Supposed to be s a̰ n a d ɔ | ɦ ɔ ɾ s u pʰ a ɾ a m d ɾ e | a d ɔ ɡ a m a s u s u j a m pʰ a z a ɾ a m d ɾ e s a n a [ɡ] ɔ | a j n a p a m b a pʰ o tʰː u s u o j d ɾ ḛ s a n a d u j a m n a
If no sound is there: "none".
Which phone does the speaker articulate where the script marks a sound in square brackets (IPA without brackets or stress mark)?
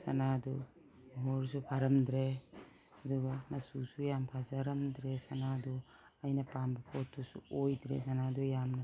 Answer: d